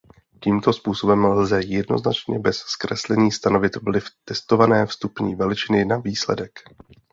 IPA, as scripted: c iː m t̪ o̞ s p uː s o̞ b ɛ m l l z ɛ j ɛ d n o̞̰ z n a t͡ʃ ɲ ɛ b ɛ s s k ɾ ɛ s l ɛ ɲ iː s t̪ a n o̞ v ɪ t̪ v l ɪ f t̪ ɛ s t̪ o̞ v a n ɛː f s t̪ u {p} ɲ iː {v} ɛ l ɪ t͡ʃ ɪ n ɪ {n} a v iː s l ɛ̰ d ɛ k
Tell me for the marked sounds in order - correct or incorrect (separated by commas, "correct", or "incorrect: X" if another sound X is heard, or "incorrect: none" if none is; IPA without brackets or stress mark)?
correct, correct, correct